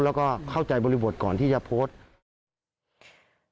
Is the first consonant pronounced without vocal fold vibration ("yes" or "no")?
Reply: no